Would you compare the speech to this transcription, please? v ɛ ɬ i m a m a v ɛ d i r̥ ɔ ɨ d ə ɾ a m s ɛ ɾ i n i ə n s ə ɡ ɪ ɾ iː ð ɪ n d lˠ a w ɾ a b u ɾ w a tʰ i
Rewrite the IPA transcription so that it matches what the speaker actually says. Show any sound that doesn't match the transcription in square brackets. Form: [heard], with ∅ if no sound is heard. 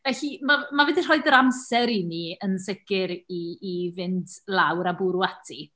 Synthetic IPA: v ɛ ɬ i m a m a v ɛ d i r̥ ɔ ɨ d ə ɾ a m s ɛ ɾ i n i ə n s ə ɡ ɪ ɾ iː [v] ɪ n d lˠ a w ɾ a b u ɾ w a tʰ i

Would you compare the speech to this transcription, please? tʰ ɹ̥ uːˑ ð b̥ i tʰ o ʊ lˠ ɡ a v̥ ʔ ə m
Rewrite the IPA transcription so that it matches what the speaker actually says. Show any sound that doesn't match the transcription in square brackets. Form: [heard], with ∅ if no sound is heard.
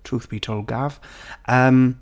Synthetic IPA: tʰ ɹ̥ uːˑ [θ] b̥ i tʰ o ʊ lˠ ɡ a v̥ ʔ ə m

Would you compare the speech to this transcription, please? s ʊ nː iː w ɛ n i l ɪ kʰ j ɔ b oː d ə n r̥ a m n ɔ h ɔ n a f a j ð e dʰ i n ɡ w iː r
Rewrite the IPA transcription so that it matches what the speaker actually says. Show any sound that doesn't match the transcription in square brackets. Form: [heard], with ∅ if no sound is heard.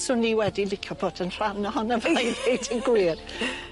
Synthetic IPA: s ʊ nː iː w ɛ [d] i l ɪ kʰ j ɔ b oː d ə n r̥ a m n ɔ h ɔ n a [v] a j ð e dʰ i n ɡ w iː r

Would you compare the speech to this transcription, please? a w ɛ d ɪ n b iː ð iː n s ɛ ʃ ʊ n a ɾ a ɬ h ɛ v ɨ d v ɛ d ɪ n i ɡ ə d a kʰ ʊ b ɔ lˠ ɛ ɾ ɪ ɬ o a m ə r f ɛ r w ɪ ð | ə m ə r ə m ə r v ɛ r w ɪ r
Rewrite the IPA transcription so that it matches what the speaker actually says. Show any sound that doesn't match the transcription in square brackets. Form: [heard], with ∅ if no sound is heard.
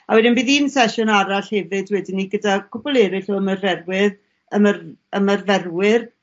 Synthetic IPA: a w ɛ d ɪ n b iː ð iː n s ɛ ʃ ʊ n a ɾ a ɬ h ɛ v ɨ d [w] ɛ d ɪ n i ɡ ə d a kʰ ʊ b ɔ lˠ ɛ ɾ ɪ ɬ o [ə] m ə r [v] ɛ r w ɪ ð | ə m ə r ə m ə r v ɛ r w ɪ r

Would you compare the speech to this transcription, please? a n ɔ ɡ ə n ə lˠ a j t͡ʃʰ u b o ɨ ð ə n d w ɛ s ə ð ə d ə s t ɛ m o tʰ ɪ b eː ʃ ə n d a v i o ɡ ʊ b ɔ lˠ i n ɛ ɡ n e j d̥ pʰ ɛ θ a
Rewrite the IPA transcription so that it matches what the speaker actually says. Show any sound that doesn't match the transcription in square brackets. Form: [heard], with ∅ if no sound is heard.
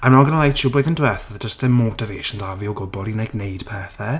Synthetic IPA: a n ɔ ɡ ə n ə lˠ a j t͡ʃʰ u b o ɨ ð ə n d w ɛ [θ] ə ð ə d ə s t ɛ m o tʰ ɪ [v] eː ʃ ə n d a v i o ɡ ʊ b ɔ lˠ i n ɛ ɡ n e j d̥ pʰ ɛ θ [ɛ]

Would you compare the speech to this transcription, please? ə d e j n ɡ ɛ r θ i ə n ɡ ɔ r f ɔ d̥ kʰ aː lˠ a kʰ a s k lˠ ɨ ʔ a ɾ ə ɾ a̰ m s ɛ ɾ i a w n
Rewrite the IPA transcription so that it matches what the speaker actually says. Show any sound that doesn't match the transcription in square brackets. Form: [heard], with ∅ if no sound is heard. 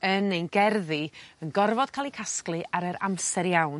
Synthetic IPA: ə [n] e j n ɡ ɛ r [ð] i ə n ɡ ɔ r [v] ɔ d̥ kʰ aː lˠ [i] kʰ a s k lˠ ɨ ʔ a ɾ ə ɾ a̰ m s ɛ ɾ [j] a w n

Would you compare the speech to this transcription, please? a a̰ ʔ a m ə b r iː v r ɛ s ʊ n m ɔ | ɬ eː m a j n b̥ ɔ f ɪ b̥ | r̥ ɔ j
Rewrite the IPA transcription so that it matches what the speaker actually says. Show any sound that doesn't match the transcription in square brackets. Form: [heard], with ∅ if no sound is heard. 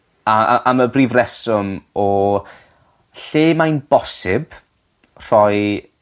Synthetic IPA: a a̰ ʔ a m ə b r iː v r ɛ s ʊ [∅] m ɔ | ɬ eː m a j n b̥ ɔ [s] ɪ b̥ | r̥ ɔ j

